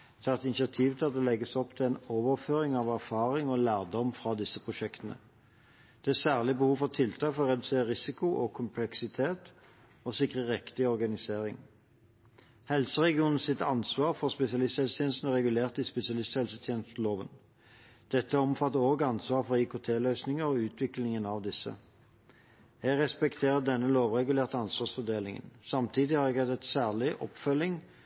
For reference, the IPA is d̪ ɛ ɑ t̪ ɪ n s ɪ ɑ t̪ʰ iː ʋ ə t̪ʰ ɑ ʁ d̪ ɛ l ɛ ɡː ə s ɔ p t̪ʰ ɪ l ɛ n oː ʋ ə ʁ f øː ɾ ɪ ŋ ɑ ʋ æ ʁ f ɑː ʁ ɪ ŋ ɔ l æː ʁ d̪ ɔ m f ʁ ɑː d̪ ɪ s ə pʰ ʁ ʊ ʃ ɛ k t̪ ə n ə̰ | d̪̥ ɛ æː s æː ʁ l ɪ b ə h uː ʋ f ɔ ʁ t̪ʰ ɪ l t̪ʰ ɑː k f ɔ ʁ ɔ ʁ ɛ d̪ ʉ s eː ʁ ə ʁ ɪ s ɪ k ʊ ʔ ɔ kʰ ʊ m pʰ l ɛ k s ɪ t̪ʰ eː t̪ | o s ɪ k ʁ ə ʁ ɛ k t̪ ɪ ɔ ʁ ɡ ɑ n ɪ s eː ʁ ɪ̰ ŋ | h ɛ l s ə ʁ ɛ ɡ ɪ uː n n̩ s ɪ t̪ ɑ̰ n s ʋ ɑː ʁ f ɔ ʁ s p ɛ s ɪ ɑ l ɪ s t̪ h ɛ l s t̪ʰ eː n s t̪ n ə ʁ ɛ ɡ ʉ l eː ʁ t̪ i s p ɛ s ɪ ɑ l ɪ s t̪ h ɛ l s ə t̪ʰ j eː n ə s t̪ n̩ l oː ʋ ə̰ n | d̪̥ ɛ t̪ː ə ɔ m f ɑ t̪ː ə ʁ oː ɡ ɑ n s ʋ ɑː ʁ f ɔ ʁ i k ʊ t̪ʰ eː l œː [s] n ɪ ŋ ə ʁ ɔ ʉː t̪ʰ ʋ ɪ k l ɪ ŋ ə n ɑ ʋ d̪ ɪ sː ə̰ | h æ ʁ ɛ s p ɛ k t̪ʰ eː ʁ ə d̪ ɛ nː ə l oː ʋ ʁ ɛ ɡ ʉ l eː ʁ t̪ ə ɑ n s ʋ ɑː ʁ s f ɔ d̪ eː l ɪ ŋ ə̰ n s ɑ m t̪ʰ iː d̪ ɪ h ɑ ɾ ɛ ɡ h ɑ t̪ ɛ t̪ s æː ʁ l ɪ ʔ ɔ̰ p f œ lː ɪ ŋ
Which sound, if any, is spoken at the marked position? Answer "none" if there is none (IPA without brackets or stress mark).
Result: s